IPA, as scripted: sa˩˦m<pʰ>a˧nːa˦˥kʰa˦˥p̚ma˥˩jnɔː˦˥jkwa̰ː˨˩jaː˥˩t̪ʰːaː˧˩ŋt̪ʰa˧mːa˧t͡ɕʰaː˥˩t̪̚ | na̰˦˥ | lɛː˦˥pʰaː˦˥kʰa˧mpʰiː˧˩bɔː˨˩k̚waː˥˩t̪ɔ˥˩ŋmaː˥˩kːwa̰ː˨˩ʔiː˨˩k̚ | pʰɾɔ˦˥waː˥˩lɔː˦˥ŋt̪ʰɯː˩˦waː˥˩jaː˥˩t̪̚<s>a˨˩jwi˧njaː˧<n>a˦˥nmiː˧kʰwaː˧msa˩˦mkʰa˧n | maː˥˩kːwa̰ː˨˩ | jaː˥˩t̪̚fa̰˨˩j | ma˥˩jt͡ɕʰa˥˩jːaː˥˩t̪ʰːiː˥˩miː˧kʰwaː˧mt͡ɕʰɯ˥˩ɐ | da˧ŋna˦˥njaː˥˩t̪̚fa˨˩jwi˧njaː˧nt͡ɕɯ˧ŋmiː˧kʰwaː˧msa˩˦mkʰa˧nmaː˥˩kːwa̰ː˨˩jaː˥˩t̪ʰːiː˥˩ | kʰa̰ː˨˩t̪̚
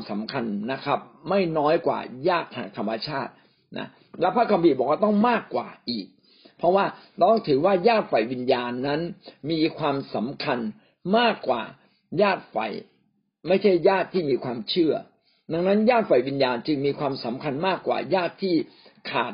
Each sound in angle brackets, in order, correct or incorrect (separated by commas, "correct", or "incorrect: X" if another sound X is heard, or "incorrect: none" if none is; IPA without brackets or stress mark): incorrect: kʰ, incorrect: f, incorrect: nː